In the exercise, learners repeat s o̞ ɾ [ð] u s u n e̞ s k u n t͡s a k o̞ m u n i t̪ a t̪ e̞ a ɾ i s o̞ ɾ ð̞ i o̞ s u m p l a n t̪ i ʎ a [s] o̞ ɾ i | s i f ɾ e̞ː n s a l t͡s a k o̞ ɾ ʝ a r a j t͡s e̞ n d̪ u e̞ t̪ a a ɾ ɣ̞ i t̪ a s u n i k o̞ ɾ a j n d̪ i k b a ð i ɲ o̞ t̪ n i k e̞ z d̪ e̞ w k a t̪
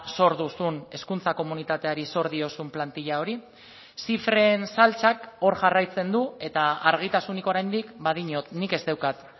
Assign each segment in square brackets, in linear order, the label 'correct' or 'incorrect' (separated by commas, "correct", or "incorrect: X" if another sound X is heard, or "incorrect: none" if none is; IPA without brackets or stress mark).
correct, incorrect: none